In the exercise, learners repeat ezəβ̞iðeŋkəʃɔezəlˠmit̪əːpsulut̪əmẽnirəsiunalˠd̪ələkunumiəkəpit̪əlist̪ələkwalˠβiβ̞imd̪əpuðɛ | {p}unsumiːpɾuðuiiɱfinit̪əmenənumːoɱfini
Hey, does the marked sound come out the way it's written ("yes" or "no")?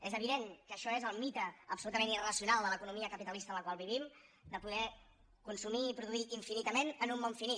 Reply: no